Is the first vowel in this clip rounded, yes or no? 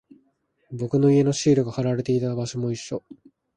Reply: yes